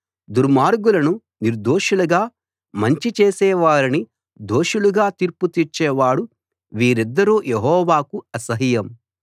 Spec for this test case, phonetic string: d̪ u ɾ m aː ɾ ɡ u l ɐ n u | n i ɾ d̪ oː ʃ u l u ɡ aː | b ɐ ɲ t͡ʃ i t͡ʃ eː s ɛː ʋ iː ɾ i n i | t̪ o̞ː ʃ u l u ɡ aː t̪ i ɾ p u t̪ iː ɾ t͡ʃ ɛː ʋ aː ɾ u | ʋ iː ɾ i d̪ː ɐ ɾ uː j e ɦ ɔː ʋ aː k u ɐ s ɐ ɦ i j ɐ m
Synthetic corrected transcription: d̪ u ɾ m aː ɾ ɡ u l ɐ n u | n i ɾ d̪ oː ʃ u l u ɡ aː | m ɐ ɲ t͡ʃ i t͡ʃ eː s ɛː ʋ aː ɾ i n i | d̪ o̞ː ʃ u l u ɡ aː t̪ i ɾ p u t̪ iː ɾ t͡ʃ ɛː ʋ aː ɽ u | ʋ iː ɾ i d̪ː ɐ ɾ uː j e ɦ ɔː ʋ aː k u ɐ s ɐ ɦ i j ɐ m